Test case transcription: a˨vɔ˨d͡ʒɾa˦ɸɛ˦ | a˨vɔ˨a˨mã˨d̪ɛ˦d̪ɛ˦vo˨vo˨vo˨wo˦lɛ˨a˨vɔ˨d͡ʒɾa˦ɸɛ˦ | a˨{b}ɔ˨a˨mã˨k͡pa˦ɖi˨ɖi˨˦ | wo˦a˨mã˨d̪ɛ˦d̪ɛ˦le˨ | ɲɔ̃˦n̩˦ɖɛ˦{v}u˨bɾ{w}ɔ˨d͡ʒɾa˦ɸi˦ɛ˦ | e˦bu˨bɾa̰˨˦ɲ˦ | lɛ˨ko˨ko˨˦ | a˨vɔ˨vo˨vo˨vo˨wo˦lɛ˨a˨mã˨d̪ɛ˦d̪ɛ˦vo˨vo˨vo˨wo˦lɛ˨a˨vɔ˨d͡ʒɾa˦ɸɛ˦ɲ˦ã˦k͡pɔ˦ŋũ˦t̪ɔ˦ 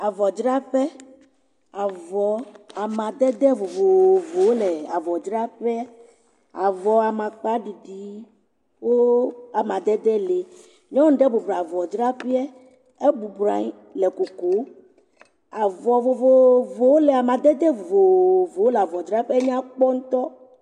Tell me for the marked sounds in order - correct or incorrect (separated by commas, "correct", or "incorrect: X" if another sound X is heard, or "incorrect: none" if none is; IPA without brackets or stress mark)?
incorrect: v, incorrect: b, incorrect: v